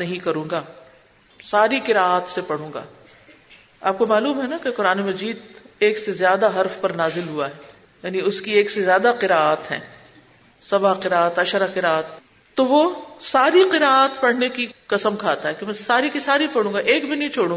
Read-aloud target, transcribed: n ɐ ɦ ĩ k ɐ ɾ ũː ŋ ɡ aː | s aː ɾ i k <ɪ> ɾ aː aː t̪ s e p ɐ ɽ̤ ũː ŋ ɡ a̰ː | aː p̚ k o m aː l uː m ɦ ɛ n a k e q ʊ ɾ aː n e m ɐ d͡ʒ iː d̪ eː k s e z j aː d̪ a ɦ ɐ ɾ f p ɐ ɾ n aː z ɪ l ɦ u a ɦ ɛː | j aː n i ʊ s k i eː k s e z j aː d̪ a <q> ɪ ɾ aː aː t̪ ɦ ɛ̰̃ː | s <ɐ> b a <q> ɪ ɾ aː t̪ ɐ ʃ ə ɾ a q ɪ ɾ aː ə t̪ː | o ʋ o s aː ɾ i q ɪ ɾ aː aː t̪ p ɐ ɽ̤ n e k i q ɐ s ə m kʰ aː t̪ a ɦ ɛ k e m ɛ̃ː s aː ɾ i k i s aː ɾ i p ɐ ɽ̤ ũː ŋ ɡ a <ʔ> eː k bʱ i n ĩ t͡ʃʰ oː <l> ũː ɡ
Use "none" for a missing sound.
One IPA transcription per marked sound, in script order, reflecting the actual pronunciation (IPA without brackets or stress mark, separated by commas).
ɪ, q, ɐ, q, ʔ, ɽ